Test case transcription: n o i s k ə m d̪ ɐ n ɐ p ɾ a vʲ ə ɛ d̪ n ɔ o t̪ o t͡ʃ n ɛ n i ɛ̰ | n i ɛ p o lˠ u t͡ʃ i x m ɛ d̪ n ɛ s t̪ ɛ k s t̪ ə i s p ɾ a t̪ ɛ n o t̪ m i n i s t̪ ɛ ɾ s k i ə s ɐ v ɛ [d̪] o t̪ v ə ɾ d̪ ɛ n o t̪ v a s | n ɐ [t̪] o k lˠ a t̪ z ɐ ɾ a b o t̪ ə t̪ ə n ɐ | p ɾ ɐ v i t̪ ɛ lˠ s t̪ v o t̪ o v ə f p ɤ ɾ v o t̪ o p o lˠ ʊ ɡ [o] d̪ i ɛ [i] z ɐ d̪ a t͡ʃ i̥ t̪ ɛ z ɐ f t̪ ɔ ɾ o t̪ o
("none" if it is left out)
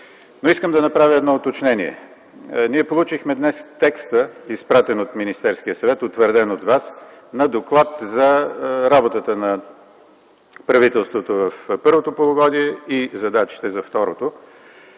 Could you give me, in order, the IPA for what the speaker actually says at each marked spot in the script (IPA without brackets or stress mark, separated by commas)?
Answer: t̪, d̪, ɔ, i